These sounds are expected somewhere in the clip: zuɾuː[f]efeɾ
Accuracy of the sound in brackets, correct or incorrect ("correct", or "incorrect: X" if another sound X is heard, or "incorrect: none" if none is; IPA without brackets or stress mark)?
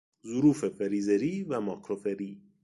correct